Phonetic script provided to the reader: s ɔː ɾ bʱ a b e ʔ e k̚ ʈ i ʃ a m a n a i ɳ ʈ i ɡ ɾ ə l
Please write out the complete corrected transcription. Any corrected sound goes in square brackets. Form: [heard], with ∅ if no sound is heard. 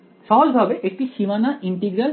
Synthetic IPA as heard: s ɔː [l] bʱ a b e ʔ e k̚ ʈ i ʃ [i] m a n a i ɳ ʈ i ɡ ɾ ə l